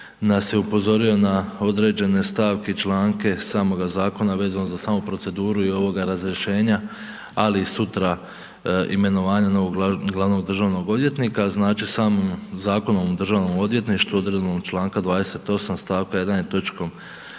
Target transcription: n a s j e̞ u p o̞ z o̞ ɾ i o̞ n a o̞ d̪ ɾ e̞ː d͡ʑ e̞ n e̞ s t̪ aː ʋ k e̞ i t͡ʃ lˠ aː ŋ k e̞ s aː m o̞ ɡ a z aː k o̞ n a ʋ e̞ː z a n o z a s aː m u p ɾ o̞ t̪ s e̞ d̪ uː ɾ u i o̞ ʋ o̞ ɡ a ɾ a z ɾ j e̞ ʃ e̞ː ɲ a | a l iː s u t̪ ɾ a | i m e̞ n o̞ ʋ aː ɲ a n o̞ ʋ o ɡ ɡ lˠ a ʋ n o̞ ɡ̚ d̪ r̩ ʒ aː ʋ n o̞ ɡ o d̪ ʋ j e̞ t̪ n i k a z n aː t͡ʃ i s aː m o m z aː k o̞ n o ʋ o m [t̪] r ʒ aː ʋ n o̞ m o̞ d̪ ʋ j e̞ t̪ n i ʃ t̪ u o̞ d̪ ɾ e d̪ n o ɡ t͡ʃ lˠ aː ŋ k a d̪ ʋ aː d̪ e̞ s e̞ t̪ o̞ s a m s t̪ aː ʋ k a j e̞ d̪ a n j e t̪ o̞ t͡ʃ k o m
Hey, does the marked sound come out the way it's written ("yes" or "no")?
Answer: no